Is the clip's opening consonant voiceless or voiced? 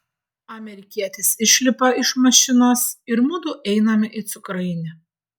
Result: voiced